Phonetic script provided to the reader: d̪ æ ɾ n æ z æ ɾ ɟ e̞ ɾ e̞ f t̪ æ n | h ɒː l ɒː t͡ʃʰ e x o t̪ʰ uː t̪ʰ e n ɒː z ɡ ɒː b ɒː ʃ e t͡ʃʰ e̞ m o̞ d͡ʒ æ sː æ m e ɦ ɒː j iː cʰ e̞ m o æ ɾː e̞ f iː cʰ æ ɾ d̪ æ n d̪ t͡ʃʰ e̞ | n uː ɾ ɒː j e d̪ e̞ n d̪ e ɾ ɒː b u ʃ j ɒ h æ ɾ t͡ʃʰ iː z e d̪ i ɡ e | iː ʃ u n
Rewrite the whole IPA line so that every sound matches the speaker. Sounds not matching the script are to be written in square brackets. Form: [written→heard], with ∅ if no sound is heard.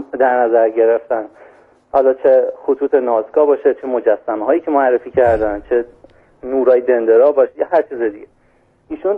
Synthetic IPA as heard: d̪ æ ɾ n æ z æ ɾ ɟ e̞ ɾ e̞ f t̪ æ n | h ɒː l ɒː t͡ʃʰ e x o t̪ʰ uː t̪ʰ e n ɒː z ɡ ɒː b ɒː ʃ e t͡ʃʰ e̞ m o̞ d͡ʒ æ sː æ m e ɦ ɒː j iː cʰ e̞ m o æ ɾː e̞ f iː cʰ æ ɾ d̪ æ n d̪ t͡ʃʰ e̞ | n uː ɾ ɒː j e d̪ e̞ n d̪ e ɾ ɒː b [u→ɒ] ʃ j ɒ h æ ɾ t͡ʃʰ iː z e d̪ i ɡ e | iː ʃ u n